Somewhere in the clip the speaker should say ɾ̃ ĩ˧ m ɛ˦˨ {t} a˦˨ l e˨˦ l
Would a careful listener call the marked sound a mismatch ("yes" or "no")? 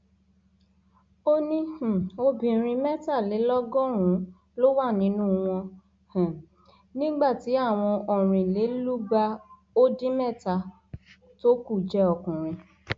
no